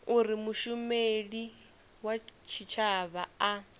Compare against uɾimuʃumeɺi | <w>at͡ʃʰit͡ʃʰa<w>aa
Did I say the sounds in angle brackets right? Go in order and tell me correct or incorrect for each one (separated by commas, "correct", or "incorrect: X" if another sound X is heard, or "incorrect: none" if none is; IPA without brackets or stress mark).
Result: correct, incorrect: β